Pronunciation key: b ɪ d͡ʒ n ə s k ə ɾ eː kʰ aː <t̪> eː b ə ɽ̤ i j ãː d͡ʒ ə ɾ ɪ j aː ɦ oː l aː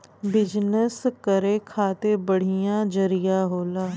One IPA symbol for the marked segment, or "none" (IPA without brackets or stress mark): t̪